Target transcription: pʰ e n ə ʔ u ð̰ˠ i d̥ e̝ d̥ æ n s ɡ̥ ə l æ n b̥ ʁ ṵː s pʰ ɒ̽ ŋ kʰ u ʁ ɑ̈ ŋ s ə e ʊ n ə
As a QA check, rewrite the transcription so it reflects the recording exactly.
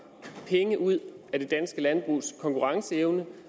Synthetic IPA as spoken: pʰ e ŋ ə ʔ u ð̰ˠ æ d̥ e̝ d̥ æ n s ɡ̥ ə l æ n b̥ ʁ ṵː s kʰ ɒ̽ ŋ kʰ u ʁ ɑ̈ ŋ s ə e ʊ n ə